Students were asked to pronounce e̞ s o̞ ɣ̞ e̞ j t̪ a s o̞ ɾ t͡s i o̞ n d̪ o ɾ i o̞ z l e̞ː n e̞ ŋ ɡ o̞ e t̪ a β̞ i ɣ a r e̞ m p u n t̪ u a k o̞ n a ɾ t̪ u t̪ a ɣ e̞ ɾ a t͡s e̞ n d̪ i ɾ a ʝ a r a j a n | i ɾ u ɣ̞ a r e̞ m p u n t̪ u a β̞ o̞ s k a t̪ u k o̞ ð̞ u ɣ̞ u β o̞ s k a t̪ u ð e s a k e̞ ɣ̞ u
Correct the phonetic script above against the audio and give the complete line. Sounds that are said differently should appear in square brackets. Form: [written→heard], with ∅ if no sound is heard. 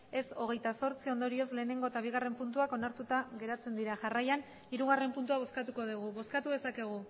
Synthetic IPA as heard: e̞ s o̞ ɣ̞ e̞ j t̪ a s o̞ ɾ t͡s i o̞ n d̪ o ɾ i o̞ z l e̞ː n e̞ ŋ ɡ o̞ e t̪ a β̞ i ɣ a r e̞ m p u n t̪ u a k o̞ n a ɾ t̪ u t̪ a ɣ e̞ ɾ a t͡s e̞ n d̪ i ɾ a ʝ a r a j a n | i ɾ u ɣ̞ a r e̞ m p u n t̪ u a β̞ o̞ s k a t̪ u k o̞ ð̞ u ɣ̞ u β o̞ s k a t̪ u ð e s a k e̞ ɣ̞ u